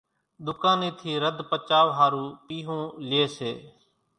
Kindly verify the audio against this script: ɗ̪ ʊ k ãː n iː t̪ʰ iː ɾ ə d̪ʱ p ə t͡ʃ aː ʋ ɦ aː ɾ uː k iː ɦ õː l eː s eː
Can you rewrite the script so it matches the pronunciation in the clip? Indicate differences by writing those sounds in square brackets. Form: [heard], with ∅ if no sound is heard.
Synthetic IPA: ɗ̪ ʊ k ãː n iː t̪ʰ iː ɾ ə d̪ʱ p ə t͡ʃ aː ʋ ɦ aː ɾ uː [p] iː ɦ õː l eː s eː